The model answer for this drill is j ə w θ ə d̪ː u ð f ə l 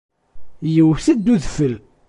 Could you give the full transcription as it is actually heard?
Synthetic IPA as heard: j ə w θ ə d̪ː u ð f ə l